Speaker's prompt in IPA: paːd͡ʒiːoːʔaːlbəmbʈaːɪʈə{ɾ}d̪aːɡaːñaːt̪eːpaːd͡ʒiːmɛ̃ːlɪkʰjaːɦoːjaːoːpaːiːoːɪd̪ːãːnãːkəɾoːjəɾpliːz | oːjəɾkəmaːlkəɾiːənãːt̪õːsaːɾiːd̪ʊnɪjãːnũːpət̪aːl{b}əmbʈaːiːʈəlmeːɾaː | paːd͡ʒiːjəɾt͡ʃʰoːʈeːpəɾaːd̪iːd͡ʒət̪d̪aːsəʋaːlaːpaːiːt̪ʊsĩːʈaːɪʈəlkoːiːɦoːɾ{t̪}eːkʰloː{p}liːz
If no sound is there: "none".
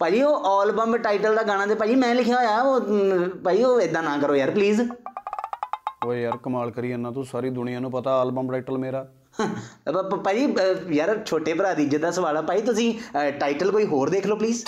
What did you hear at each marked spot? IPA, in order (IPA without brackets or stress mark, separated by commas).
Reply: l, b, d̪, p